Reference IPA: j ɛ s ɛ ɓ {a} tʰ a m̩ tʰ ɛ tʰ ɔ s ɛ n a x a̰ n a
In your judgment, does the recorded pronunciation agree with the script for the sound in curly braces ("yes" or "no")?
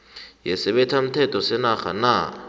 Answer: no